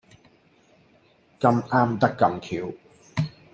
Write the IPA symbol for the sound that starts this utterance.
k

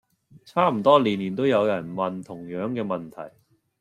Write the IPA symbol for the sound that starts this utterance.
t͡sʰ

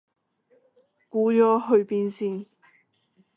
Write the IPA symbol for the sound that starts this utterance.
k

